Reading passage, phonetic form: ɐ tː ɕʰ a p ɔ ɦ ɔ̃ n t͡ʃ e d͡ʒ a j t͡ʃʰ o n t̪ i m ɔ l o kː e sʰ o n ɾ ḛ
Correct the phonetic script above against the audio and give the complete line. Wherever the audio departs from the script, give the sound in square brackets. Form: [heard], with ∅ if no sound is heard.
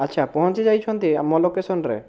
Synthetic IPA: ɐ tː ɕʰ a p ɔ ɦ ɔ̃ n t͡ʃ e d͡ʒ a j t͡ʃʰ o n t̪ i m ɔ l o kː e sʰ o n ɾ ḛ